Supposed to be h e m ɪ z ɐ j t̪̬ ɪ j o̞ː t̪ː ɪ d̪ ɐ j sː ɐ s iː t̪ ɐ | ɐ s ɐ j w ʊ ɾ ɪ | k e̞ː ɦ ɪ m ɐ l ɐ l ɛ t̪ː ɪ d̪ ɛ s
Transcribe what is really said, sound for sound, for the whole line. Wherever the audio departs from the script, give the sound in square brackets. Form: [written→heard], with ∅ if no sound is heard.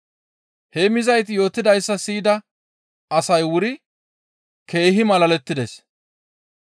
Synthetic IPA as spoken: h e m ɪ z ɐ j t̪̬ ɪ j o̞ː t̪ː ɪ d̪ ɐ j sː ɐ s iː [t̪→d̪] ɐ | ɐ s ɐ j w ʊ ɾ ɪ | k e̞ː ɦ ɪ m ɐ l ɐ l ɛ t̪ː ɪ d̪ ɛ s